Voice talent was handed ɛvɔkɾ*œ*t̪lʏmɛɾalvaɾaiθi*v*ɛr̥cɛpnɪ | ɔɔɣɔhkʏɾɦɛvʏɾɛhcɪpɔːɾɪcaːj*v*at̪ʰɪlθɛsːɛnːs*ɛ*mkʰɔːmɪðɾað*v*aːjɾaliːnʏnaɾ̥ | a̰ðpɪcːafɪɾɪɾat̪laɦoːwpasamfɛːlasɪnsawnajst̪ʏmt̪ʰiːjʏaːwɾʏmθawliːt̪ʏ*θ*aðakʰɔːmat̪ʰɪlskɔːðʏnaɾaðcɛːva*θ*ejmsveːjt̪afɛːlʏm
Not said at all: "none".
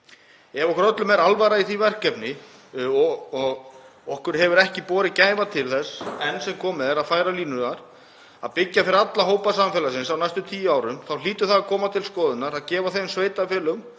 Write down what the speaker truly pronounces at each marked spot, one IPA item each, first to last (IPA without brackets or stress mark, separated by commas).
œ, v, v, ɛ, f, θ, θ